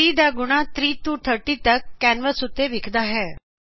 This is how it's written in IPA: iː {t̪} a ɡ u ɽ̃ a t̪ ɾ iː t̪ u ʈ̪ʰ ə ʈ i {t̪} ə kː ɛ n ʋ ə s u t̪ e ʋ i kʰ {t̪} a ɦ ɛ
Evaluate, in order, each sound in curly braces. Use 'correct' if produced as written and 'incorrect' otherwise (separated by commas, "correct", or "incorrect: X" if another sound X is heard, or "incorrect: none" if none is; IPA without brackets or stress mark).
incorrect: d̪, correct, incorrect: d̪